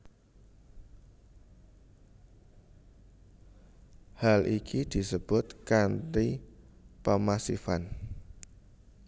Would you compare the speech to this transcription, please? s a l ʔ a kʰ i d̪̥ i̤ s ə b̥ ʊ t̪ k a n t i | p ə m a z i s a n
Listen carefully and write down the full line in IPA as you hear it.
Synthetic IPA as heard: h a l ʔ i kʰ i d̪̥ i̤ s ə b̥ ʊ t̪ k a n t i | p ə m a s i f a n